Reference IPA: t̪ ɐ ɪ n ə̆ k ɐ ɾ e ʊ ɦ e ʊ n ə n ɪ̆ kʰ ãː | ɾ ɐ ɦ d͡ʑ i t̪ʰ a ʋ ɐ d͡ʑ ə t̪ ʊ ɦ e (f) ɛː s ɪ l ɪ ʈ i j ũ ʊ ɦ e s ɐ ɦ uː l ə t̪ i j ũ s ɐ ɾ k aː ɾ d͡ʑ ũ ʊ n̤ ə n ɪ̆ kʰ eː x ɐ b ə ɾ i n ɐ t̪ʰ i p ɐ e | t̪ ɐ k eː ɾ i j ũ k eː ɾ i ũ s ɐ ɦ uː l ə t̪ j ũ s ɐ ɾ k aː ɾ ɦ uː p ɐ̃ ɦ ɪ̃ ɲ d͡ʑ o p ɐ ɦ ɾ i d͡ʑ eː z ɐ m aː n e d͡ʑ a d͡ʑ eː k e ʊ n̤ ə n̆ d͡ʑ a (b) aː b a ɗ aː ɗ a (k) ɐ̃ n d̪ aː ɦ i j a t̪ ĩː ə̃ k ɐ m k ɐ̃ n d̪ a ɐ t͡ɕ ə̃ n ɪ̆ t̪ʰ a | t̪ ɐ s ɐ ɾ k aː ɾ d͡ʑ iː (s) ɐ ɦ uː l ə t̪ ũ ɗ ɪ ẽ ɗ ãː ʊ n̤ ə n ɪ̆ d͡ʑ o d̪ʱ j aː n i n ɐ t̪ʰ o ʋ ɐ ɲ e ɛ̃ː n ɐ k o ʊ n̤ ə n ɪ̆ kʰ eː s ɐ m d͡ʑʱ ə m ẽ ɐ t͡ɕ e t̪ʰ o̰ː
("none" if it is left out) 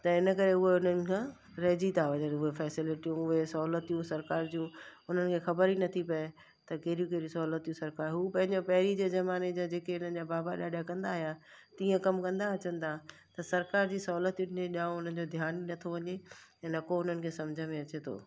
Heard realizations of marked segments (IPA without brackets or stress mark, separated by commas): f, b, k, s